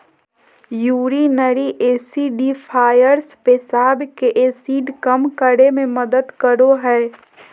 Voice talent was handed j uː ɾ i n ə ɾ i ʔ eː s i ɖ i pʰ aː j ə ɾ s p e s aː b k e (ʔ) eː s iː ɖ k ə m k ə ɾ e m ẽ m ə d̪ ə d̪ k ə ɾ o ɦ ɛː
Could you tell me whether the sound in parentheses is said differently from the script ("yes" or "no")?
no